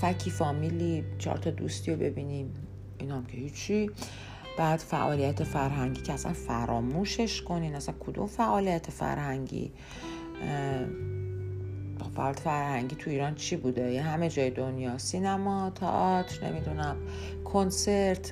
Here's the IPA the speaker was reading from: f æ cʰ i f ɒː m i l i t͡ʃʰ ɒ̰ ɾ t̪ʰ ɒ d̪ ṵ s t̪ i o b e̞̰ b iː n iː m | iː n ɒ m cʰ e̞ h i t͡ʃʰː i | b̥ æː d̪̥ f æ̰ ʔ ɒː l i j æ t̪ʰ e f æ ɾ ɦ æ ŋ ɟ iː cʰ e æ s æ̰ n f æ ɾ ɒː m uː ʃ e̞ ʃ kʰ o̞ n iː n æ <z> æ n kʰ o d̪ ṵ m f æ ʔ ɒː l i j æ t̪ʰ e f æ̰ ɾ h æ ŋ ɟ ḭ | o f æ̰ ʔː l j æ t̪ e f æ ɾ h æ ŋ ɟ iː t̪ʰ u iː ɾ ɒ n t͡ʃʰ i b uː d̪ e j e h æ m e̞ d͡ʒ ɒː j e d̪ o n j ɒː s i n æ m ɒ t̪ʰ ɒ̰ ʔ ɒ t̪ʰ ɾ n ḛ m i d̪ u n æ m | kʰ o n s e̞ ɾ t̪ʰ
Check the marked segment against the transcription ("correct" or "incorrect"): incorrect